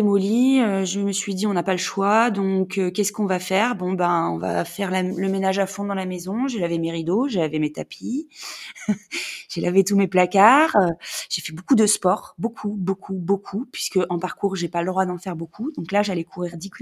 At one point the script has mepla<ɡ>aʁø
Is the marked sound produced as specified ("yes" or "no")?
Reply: no